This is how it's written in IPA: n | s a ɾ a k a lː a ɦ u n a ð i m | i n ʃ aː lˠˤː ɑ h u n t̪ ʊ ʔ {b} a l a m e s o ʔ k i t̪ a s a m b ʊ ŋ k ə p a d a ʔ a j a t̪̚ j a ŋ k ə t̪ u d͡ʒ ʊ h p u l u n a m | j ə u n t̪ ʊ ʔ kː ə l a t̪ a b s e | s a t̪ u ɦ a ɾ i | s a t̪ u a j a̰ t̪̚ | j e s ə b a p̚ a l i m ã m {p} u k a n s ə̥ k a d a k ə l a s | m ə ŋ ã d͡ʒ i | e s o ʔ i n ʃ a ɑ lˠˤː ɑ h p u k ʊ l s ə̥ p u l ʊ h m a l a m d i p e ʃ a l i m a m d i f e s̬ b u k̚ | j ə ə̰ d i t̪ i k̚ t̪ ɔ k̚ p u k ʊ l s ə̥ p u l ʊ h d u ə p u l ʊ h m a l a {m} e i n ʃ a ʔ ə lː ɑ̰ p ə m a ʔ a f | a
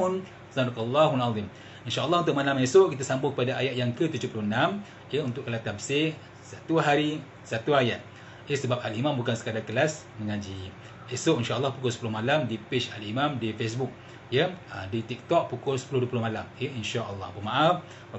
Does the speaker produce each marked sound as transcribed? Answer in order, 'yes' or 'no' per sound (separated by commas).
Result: no, no, yes